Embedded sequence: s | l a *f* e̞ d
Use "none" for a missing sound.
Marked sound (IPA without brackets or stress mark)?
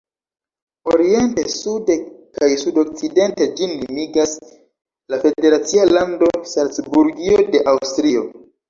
f